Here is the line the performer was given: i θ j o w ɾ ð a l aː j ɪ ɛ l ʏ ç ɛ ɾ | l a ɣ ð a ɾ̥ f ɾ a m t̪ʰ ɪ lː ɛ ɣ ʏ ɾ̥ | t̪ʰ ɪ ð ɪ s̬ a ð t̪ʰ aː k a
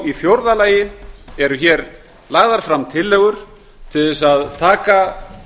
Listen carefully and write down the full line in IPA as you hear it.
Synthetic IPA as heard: i θ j o w ɾ ð a l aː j ɪ ɛ ɾ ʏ ç ɛ ɾ | l a ɣ ð a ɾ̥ f ɾ a m t̪ʰ ɪ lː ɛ ɣ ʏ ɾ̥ | t̪ʰ ɪ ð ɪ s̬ a ð t̪ʰ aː k a